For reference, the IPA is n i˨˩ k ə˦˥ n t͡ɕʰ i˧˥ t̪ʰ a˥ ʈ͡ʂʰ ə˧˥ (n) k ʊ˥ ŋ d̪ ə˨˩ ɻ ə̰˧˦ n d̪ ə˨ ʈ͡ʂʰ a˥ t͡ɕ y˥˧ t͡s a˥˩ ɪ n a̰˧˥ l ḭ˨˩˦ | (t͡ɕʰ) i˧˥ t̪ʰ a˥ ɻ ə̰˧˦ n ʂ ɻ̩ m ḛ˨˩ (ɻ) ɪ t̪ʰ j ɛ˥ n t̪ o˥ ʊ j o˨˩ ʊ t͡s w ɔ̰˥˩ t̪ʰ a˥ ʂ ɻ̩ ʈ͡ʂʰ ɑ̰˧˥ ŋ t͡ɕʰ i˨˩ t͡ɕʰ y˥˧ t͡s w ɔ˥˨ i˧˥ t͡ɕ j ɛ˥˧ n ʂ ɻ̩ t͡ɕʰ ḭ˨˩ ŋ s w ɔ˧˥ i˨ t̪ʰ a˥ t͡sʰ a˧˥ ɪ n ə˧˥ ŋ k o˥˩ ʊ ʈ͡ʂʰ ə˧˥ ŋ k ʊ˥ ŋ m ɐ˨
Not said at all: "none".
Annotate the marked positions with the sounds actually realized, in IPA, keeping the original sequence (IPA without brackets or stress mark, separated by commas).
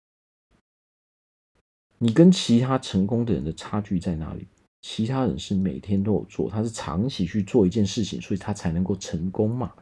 ŋ, t͡ɕʰ, none